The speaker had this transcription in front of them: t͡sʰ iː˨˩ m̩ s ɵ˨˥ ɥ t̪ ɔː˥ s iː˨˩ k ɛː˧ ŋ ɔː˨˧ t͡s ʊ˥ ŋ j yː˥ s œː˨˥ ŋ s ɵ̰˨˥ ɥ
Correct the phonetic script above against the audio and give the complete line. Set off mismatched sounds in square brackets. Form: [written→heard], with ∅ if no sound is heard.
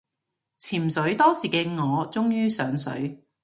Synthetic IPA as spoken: t͡sʰ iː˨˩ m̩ s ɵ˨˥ ɥ t̪ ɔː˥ s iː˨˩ k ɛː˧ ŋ ɔː˨˧ t͡s ʊ˥ ŋ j yː˥ s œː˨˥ ŋ s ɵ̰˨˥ ɥ